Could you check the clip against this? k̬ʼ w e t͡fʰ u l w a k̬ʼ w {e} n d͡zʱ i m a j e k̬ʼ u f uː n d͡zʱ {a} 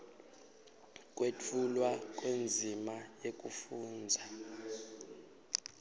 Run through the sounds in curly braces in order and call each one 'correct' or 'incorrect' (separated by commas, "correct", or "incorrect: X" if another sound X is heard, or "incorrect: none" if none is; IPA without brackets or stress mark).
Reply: correct, correct